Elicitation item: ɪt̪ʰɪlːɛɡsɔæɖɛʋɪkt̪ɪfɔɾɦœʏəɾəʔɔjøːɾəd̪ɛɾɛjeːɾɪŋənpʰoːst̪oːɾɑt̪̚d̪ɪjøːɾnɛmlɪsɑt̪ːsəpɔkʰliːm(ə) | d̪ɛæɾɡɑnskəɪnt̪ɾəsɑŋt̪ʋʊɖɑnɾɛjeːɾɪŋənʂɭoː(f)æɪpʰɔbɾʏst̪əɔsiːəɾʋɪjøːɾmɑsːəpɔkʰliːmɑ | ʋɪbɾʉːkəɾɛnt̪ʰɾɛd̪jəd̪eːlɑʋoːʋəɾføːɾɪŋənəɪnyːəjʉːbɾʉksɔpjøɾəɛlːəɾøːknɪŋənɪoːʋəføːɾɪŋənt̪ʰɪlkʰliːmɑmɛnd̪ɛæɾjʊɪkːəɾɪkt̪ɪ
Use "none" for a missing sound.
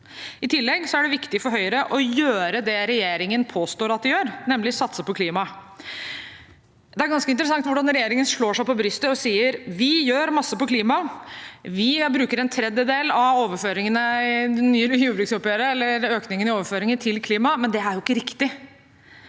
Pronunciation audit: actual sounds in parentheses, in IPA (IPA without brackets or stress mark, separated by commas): ɑ, ʂ